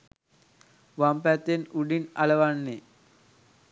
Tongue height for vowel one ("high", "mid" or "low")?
low